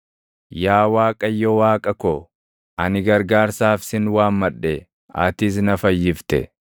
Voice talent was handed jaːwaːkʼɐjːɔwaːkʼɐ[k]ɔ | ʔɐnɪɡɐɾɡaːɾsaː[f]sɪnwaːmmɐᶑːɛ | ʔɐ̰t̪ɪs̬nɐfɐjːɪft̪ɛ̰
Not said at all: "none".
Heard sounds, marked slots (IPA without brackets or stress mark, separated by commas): k, f